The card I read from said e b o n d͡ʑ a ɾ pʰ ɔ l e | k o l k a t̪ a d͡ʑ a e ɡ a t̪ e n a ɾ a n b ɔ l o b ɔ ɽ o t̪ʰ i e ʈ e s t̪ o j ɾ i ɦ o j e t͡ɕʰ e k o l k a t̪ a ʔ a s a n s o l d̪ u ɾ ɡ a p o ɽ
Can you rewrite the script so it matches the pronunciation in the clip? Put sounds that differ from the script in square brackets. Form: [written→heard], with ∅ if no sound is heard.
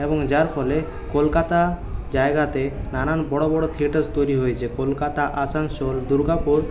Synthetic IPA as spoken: e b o [n→ŋ] d͡ʑ a ɾ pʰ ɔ l e | k o l k a t̪ a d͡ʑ a e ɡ a t̪ e n a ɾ a n b ɔ [l→ɽ] o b ɔ ɽ o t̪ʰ i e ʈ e s t̪ o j ɾ i ɦ o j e t͡ɕʰ e k o l k a t̪ a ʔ a s a n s o l d̪ u ɾ ɡ a p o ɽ